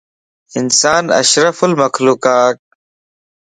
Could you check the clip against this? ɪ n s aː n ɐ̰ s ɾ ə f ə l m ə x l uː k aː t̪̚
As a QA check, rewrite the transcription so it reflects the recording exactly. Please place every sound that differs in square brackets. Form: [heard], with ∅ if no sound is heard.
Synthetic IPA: ɪ n s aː n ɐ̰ [ʃ] ɾ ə f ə l m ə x l uː k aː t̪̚